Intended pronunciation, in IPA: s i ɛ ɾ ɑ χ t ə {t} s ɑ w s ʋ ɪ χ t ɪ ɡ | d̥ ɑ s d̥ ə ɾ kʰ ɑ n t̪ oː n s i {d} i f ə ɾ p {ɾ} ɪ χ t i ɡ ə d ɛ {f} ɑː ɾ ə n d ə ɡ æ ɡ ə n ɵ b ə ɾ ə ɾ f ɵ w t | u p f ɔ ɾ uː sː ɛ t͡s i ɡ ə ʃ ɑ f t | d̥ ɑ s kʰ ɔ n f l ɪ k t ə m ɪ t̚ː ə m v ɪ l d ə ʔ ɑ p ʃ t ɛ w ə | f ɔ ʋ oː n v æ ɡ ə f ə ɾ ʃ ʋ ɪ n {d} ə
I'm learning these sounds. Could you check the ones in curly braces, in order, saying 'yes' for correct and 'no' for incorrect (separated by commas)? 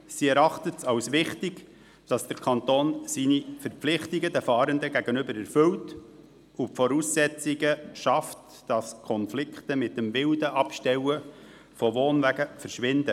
yes, no, no, yes, yes